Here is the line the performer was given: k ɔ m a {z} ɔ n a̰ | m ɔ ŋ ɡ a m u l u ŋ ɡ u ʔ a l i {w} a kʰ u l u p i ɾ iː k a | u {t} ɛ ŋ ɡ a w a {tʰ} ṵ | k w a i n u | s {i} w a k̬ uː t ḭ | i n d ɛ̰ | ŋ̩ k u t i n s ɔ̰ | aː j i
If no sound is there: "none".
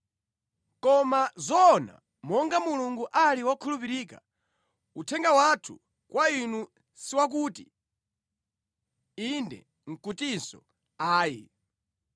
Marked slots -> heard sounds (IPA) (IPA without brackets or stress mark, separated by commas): z, w, tʰ, tʰ, i